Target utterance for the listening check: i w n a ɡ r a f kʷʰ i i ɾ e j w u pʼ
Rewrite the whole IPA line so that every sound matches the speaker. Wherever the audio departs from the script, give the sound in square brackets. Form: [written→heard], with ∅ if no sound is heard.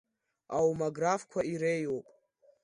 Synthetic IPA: [i→a] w [n→m] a ɡ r a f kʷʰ [i→a] i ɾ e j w [u→o] pʼ